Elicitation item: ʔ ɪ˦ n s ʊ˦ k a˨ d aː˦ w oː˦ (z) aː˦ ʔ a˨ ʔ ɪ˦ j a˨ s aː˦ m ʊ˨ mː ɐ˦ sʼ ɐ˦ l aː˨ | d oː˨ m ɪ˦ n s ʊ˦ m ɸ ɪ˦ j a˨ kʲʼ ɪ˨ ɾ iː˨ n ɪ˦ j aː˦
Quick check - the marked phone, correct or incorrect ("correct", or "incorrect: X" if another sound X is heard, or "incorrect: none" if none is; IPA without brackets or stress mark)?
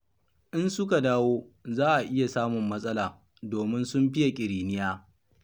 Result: correct